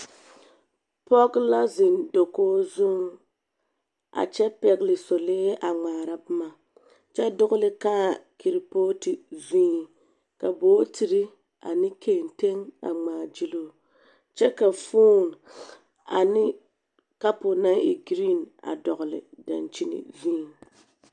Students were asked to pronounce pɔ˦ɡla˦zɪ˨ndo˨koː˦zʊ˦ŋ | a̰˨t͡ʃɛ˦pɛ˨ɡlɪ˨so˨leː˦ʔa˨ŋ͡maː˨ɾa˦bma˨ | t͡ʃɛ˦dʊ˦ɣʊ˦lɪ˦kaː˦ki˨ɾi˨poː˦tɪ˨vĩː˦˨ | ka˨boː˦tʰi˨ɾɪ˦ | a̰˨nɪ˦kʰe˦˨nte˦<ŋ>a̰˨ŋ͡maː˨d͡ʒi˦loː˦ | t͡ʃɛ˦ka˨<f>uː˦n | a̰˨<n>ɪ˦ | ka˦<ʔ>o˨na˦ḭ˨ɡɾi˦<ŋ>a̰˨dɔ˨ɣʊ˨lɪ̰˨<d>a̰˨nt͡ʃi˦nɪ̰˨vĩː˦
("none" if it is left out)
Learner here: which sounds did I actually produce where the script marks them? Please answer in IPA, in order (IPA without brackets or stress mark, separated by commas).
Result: ŋ, f, n, p, n, d